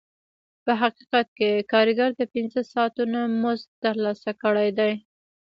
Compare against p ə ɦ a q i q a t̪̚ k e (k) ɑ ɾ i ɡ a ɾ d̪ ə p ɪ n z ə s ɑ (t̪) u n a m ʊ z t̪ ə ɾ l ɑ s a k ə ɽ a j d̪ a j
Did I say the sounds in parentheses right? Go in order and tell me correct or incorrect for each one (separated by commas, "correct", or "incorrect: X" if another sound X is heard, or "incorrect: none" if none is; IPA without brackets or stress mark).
correct, correct